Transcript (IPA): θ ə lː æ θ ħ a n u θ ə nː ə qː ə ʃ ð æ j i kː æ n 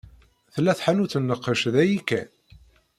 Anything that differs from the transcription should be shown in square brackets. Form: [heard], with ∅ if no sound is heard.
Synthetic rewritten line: θ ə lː æ θ ħ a n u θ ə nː ə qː ə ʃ ð æ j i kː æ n